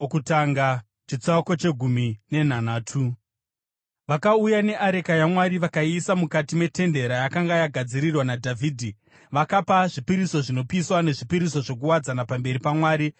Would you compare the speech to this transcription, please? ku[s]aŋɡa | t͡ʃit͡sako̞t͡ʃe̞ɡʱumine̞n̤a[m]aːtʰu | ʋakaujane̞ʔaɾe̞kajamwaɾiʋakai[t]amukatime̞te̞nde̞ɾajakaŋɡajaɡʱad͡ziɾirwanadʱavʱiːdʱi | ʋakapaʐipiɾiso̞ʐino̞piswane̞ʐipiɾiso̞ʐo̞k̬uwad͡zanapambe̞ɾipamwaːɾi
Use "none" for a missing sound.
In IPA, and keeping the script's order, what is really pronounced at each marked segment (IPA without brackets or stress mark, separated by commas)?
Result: t, n, s